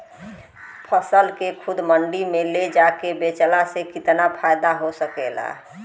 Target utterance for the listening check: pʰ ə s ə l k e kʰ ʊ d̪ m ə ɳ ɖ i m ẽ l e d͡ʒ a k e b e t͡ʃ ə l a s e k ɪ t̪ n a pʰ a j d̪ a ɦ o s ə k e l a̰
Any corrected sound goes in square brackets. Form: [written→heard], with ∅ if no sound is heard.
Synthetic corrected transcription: pʰ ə s ə l k e kʰ ʊ d̪ m ə ɳ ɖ i m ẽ l e d͡ʒ a k e b e t͡ʃ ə l a s e k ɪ t̪ n a pʰ a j d̪ a ɦ o s ə k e l a̰